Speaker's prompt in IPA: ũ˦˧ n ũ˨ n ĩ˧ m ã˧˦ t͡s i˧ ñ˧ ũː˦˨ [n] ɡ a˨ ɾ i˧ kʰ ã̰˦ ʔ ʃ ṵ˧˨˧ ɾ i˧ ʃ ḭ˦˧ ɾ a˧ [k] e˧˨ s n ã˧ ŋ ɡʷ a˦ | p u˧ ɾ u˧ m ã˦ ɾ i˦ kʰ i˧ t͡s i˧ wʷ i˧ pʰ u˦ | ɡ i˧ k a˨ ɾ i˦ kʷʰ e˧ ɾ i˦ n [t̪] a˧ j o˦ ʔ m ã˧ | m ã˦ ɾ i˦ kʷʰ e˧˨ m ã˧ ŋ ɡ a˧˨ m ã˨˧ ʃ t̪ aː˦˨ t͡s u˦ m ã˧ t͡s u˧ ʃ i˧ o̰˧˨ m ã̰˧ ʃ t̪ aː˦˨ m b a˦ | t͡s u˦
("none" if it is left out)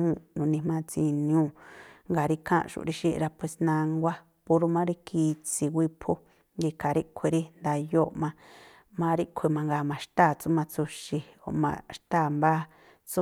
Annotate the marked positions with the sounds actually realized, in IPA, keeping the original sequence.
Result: ŋ, p, d̪

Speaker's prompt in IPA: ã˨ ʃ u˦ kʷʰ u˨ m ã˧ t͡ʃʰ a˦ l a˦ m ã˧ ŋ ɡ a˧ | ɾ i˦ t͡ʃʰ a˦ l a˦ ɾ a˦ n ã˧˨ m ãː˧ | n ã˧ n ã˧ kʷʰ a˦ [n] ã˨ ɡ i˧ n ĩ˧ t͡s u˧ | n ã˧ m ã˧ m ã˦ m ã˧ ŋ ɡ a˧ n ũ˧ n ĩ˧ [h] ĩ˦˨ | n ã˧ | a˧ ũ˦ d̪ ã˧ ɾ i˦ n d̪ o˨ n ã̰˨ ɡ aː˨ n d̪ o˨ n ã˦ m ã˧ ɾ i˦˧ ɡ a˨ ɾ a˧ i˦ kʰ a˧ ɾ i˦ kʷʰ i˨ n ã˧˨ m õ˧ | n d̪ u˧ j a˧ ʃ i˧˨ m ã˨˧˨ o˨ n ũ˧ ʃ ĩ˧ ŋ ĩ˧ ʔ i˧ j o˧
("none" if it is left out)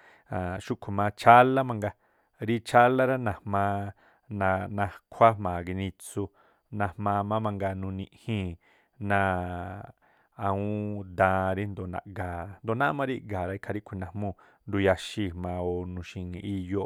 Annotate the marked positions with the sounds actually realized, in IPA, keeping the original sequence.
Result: m, h

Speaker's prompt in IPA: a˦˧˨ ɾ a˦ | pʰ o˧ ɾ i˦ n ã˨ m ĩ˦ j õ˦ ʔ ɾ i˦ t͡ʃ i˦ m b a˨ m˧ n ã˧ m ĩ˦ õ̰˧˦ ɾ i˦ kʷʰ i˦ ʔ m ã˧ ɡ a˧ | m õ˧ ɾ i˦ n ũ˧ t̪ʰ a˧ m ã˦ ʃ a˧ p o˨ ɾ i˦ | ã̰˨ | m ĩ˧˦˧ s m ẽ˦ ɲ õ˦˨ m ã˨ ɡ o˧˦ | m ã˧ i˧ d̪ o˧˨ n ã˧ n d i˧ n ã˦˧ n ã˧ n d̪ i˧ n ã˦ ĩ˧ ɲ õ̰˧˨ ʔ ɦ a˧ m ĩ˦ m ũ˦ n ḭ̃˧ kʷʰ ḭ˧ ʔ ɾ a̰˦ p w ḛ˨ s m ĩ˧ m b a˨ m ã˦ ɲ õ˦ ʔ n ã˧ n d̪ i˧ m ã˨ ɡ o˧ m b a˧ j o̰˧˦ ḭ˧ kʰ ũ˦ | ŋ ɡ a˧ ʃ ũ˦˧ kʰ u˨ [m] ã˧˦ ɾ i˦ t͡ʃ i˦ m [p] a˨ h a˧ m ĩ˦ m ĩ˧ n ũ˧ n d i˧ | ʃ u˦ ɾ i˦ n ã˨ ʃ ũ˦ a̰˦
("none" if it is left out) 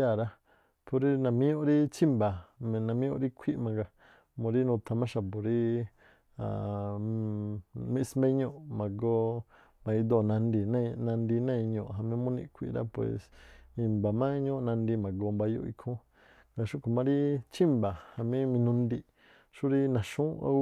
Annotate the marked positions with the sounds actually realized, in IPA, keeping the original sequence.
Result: m, b

